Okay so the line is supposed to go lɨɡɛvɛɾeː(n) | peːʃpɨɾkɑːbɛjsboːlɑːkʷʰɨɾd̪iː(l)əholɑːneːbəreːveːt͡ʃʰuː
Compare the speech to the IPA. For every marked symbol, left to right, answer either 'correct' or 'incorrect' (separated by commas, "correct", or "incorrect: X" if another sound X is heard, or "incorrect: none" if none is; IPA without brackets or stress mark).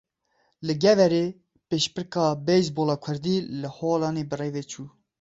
incorrect: none, correct